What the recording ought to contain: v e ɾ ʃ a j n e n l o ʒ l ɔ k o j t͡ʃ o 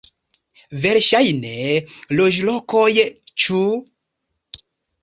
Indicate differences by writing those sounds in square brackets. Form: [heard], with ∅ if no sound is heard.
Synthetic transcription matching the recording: v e ɾ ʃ a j n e [∅] l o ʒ l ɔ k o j t͡ʃ [u]